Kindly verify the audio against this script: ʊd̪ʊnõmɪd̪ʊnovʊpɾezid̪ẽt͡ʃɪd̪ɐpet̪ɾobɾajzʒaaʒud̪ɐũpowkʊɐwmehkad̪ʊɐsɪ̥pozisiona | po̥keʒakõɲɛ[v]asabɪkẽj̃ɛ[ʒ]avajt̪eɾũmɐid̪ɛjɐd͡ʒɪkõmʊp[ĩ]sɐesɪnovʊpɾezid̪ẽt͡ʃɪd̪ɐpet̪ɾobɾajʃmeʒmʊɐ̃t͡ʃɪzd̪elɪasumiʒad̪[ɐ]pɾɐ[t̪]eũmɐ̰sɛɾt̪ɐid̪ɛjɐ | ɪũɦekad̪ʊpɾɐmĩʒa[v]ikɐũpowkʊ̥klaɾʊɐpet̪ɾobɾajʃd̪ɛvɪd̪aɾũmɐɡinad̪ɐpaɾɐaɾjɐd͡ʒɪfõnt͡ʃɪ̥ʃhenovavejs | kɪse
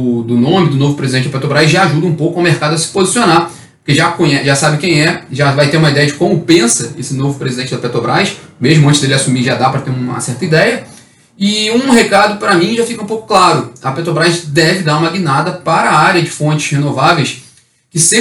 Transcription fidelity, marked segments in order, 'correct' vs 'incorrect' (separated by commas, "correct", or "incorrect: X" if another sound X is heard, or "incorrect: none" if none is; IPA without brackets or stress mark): incorrect: ʒ, correct, incorrect: ẽ, incorrect: a, correct, incorrect: f